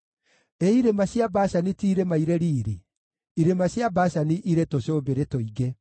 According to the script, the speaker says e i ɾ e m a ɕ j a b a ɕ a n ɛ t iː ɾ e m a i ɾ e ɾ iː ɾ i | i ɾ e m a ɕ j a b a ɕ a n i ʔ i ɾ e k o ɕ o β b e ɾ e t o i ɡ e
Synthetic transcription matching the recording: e i ɾ e m a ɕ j a b a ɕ a n i t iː ɾ e m a i ɾ e ɾ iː ɾ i | i ɾ e m a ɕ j a b a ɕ a n i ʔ i ɾ e t o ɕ o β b e ɾ e t o i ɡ e